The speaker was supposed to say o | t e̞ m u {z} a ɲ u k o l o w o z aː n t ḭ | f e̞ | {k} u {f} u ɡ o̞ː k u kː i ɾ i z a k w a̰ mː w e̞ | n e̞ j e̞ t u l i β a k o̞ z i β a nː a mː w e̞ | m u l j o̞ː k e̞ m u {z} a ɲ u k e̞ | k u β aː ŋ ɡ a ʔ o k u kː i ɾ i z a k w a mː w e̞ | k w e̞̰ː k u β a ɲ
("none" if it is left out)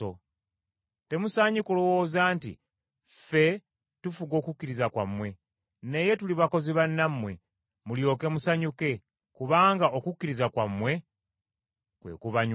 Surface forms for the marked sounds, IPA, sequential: s, t, f, s

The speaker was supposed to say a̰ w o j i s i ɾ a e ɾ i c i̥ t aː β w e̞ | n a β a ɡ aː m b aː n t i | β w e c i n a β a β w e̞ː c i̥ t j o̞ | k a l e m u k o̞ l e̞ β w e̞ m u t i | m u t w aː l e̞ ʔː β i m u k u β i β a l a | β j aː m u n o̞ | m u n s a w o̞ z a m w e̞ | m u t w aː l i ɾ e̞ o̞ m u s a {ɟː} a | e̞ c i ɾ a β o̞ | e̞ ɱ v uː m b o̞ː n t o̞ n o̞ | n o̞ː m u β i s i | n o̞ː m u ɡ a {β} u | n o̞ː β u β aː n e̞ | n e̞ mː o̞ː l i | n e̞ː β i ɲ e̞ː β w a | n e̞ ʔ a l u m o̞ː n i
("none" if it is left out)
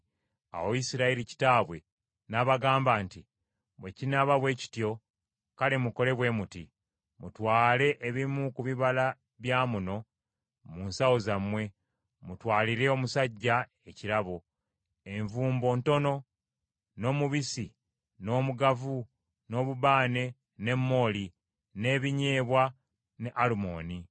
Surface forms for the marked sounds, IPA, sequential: ɟː, v

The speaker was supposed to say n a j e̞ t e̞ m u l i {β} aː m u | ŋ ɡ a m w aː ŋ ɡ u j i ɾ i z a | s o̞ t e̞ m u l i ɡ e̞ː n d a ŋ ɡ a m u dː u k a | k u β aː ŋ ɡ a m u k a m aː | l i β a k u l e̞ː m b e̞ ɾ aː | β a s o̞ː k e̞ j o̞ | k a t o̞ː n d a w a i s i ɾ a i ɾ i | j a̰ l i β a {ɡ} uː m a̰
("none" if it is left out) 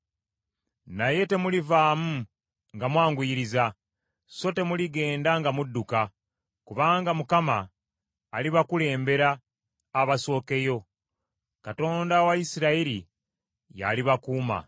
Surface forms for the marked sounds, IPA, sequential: v, k

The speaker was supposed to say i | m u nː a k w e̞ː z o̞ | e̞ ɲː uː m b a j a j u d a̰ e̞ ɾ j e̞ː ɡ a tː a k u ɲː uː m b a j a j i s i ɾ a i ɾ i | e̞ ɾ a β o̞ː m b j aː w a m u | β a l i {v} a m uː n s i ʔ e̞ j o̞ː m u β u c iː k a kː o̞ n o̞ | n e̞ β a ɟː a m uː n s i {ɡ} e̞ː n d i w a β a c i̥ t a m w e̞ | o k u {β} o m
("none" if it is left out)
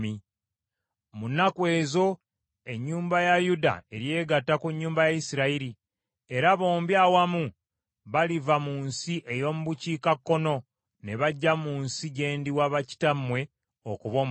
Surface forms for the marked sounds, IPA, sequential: v, ɟ, β

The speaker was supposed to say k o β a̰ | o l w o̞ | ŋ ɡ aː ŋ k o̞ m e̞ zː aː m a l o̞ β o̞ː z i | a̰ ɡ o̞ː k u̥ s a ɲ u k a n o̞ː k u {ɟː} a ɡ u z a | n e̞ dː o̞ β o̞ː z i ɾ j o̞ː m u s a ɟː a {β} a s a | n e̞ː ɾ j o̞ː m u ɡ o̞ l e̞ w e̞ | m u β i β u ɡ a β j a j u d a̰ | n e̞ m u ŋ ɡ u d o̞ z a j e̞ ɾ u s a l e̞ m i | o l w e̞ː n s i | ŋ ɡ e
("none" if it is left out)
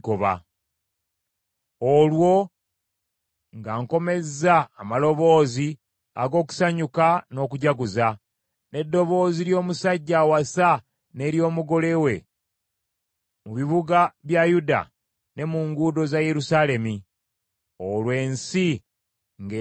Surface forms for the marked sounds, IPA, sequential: ɟ, w

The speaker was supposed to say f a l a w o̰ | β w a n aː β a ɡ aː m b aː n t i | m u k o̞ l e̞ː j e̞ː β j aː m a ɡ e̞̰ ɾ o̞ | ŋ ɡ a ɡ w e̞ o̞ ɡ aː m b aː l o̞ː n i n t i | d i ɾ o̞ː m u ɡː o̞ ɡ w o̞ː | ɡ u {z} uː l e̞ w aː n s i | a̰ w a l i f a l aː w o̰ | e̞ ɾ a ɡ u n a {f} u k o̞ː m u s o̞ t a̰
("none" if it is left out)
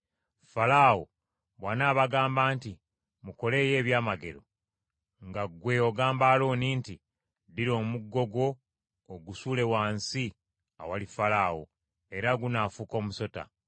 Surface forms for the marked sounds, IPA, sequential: s, f

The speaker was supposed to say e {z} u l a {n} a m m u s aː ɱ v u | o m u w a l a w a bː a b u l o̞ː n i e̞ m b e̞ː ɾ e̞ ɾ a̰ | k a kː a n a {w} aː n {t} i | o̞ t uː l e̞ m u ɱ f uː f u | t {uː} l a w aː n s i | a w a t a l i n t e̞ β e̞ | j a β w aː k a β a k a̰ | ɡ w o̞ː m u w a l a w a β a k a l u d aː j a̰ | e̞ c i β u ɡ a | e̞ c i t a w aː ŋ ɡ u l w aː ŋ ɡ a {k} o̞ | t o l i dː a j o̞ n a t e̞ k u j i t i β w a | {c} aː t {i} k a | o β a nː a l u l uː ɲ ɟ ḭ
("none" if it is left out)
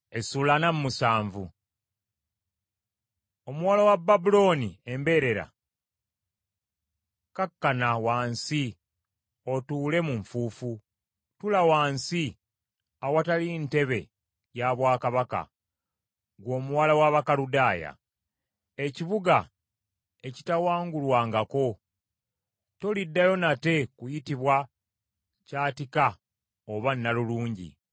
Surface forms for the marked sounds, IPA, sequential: s, n, w, s, u, k, c, i

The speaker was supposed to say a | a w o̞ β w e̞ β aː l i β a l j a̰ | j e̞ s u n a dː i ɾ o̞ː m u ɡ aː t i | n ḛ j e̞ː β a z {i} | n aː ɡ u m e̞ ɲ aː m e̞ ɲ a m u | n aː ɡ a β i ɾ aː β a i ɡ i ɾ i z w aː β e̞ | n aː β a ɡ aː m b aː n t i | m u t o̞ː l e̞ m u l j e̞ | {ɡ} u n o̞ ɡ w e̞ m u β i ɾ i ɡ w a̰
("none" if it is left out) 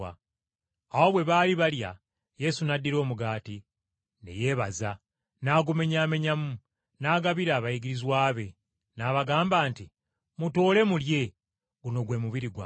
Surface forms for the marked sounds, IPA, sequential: a, ɡ

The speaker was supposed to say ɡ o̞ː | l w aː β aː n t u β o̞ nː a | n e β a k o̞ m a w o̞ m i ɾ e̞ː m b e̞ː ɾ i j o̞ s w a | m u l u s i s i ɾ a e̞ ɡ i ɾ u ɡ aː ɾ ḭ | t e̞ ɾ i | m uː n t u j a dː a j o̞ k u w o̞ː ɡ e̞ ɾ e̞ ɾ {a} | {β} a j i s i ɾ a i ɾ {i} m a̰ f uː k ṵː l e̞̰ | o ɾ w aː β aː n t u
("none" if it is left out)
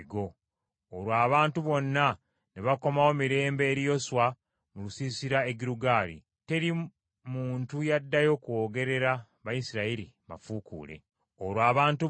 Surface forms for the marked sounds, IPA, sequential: a, β, i

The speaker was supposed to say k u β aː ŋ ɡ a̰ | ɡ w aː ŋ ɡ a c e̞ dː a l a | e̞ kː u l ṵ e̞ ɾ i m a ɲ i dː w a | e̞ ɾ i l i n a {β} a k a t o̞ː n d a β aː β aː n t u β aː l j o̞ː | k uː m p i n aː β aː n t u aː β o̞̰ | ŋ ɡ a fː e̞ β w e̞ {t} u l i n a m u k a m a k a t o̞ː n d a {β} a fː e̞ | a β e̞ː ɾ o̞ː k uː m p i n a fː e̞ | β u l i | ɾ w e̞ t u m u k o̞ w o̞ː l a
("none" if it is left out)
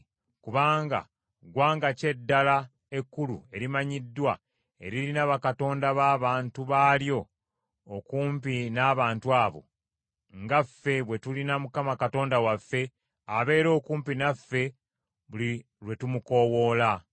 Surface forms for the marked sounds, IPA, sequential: β, t, w

